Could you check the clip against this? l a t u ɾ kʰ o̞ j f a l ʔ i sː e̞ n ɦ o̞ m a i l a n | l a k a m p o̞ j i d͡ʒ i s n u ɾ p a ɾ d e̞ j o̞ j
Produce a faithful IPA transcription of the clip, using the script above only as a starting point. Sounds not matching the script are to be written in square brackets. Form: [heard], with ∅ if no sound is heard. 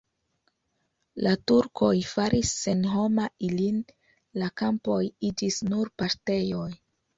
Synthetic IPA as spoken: l a t u ɾ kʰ o̞ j f a [ɾ] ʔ i sː e̞ n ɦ o̞ m a i l [i] n | l a k a m p o̞ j i d͡ʒ i s n u ɾ p a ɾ [t] e̞ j o̞ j